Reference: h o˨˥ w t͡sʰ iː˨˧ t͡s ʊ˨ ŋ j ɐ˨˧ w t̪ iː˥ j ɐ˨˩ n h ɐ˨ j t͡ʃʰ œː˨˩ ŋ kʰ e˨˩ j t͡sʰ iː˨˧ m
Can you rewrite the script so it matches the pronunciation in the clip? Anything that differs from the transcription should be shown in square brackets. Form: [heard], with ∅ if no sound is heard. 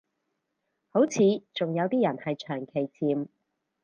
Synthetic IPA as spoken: h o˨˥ w t͡sʰ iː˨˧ t͡s ʊ˨ ŋ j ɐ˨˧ w t̪ iː˥ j ɐ˨˩ n h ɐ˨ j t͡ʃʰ œː˨˩ ŋ kʰ e˨˩ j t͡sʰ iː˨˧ m